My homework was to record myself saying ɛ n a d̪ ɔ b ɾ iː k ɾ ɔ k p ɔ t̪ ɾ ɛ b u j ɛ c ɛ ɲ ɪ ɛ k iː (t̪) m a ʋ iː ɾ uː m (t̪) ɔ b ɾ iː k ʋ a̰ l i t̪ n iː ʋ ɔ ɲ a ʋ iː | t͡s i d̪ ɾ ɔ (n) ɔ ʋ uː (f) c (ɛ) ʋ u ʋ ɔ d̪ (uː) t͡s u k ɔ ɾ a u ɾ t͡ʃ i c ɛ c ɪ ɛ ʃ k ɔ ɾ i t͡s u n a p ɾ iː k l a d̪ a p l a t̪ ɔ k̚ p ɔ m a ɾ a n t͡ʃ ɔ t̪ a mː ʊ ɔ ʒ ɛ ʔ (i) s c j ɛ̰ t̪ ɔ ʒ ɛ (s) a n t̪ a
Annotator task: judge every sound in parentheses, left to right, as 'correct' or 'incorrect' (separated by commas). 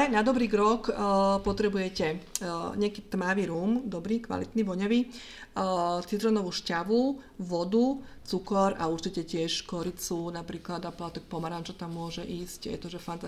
correct, incorrect, correct, incorrect, incorrect, incorrect, incorrect, incorrect